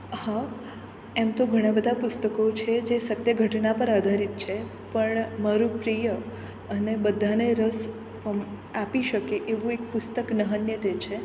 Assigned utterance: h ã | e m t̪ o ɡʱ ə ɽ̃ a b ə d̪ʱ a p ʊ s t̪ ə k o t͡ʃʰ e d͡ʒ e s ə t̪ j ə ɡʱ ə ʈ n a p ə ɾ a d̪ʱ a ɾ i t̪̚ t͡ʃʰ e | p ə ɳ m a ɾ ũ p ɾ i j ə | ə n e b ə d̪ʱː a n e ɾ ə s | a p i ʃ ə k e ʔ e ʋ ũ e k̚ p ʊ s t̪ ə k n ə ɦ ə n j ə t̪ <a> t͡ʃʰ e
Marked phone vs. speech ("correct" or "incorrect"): incorrect